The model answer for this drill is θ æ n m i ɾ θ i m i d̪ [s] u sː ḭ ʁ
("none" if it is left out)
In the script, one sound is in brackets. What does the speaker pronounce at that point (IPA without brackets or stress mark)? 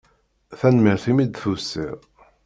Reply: θ